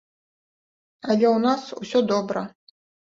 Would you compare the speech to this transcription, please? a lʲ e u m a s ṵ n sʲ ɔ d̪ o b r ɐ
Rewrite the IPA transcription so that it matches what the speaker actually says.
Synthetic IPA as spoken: a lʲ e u n a s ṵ sʲ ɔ d̪ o b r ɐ

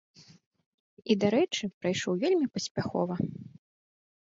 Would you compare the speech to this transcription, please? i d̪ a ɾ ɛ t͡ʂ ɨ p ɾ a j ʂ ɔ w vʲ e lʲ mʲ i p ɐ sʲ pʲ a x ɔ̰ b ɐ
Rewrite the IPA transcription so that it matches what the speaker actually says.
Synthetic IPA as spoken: i d̪ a ɾ ɛ t͡ʂ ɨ p ɾ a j ʂ ɔ w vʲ e lʲ mʲ i p ɐ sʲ pʲ a x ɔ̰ v ɐ

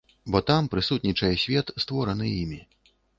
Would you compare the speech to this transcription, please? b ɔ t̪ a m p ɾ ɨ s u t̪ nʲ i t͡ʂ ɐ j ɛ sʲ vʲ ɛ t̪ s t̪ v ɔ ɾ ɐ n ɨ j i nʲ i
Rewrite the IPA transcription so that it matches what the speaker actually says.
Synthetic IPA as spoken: b ɔ t̪ a m p ɾ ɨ s u t̪ nʲ i t͡ʂ ɐ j ɛ sʲ vʲ ɛ t̪ s t̪ v ɔ ɾ ɐ n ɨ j i mʲ i

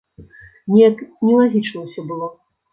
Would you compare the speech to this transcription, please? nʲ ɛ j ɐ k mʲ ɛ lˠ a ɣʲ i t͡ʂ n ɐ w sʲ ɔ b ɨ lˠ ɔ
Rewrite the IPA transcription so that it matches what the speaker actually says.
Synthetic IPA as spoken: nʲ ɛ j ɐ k nʲ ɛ lˠ a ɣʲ i t͡ʂ n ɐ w sʲ ɔ b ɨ lˠ ɔ

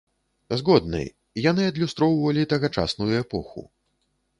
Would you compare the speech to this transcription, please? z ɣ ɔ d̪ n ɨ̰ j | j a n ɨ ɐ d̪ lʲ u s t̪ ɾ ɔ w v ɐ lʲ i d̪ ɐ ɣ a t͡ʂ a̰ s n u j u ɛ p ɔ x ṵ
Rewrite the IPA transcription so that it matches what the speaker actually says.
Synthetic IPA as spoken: z ɣ ɔ d̪ n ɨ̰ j | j a n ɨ ɐ d̪ lʲ u s t̪ ɾ ɔ w v ɐ lʲ i t̪ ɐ ɣ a t͡ʂ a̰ s n u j u ɛ p ɔ x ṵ

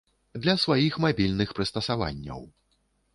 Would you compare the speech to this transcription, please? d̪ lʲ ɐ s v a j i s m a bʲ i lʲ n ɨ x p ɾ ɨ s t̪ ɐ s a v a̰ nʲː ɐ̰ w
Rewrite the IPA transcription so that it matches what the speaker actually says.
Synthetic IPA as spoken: d̪ lʲ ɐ s v a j i x m a bʲ i lʲ n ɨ x p ɾ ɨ s t̪ ɐ s a v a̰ nʲː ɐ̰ w

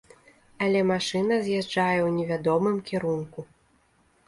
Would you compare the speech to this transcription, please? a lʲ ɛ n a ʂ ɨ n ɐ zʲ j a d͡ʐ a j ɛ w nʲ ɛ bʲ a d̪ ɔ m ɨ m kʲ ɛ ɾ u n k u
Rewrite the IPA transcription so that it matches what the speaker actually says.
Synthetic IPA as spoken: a lʲ ɛ m a ʂ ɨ n ɐ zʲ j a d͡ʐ a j ɛ w nʲ ɛ vʲ a d̪ ɔ m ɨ m kʲ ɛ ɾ u n k u

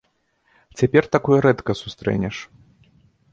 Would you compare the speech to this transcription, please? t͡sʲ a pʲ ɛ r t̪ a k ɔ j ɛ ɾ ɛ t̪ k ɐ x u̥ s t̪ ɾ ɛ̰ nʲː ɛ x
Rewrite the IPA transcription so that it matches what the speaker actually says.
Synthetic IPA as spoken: t͡sʲ a pʲ ɛ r t̪ a k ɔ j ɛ ɾ ɛ t̪ k ɐ s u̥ s t̪ ɾ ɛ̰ nʲ ɛ ʂ

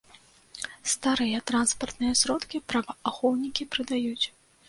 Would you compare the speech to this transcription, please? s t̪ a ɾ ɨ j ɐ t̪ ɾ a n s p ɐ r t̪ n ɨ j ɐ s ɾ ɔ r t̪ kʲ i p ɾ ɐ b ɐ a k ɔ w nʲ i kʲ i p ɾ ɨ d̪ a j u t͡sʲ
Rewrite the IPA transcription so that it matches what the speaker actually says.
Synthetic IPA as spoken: s t̪ a ɾ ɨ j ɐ t̪ ɾ a n s p ɐ r t̪ n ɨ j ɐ s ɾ ɔ t̪ kʲ i p ɾ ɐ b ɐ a x ɔ w nʲ i kʲ i p ɾ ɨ d̪ a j u t͡sʲ

